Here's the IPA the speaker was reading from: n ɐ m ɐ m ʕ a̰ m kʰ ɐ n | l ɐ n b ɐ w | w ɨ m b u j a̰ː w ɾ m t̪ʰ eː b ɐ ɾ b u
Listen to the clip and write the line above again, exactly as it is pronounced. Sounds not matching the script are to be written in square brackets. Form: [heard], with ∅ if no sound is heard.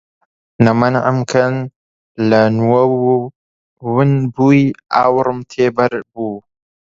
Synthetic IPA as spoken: n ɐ m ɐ [n] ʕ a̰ m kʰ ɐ n | l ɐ n [w] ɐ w | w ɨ [n] b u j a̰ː w ɾ m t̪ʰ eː b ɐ ɾ b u